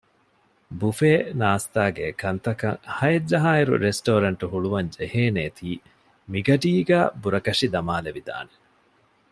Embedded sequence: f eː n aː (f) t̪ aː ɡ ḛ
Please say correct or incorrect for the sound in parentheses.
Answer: incorrect: s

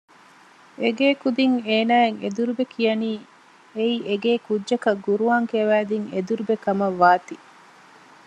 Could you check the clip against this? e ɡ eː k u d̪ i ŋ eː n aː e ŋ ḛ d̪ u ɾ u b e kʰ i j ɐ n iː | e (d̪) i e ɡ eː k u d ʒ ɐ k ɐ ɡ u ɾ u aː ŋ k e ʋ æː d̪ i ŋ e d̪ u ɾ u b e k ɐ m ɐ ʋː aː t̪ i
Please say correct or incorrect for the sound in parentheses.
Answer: incorrect: none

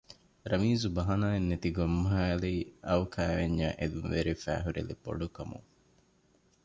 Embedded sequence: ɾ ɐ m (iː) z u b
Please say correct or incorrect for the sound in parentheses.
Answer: correct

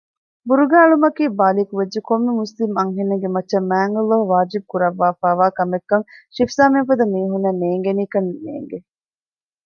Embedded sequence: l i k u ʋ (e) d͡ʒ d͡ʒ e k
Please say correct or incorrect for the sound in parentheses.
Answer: correct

